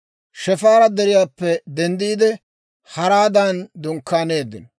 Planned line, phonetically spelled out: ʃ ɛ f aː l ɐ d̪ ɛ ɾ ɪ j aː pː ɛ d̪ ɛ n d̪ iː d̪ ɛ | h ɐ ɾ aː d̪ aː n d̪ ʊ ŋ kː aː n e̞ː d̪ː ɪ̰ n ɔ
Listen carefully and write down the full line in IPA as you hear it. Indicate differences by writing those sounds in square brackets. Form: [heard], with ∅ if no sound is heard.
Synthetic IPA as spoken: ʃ ɛ f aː [ɾ] ɐ d̪ ɛ ɾ ɪ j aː pː ɛ d̪ ɛ n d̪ iː d̪ ɛ | h ɐ ɾ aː d̪ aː n d̪ ʊ ŋ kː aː n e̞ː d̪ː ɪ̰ n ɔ